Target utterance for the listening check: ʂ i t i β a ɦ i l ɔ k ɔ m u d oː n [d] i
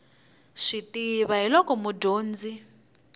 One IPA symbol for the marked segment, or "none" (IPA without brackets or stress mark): d͡z